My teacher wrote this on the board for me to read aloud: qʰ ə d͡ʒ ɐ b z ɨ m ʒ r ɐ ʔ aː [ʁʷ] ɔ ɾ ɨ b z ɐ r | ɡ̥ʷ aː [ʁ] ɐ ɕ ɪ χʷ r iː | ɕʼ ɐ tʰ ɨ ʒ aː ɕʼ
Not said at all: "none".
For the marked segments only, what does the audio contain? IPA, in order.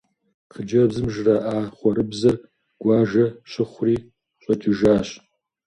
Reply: χʷ, ʒ

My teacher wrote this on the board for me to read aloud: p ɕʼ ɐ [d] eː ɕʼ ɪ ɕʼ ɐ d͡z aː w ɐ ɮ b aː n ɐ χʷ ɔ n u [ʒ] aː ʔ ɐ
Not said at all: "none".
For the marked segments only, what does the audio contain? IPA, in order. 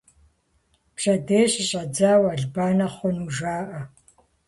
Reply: d, ʒ

